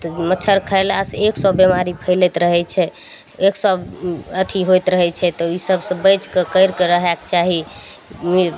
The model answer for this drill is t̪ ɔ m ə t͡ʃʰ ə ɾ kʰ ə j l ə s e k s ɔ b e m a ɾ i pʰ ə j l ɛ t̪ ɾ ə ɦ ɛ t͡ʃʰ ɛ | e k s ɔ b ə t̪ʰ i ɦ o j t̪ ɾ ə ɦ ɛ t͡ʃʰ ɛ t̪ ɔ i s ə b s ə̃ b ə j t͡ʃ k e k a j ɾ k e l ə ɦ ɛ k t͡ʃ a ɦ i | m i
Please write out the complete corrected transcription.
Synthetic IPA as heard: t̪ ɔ m ə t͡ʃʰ ə ɾ kʰ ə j l a s e k s ɔ b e m a ɾ i pʰ ə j l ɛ t̪ ɾ ə ɦ ɛ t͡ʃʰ ɛ | e k s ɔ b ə t̪ʰ i ɦ o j t̪ ɾ ə ɦ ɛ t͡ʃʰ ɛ t̪ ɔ i s ə b s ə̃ b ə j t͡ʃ k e k ə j ɾ k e ɾ ə ɦ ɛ k t͡ʃ a ɦ i | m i